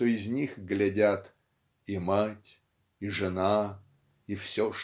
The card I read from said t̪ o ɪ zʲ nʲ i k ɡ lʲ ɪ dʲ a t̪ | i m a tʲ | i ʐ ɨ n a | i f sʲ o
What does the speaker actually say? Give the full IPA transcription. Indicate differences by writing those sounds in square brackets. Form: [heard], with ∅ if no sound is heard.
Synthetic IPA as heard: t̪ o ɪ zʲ nʲ i [x] ɡ lʲ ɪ dʲ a t̪ | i m a tʲ | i ʐ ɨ n a | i f sʲ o